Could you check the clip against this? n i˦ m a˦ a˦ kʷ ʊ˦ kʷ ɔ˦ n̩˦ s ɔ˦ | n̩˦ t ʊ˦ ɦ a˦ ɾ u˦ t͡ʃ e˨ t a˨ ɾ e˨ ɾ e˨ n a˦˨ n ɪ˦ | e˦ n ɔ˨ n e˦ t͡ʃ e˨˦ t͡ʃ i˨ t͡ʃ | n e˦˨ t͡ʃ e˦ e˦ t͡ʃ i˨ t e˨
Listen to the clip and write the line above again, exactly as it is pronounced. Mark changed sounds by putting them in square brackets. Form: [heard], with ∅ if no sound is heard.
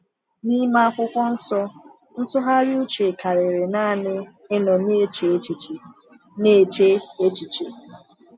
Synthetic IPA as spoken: n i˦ m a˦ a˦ kʷ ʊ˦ kʷ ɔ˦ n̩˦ s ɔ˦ | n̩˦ t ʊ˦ ɦ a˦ ɾ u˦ t͡ʃ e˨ [k] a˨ ɾ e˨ ɾ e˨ n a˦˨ n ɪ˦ | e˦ n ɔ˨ n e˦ t͡ʃ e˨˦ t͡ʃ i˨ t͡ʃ | n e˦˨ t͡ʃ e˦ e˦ t͡ʃ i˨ [t͡ʃ] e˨